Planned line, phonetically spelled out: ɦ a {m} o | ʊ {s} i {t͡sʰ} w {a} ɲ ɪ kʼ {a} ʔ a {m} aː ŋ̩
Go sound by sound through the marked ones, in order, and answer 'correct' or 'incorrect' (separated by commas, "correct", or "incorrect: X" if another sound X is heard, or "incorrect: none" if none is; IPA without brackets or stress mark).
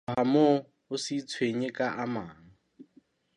correct, correct, correct, incorrect: e, correct, correct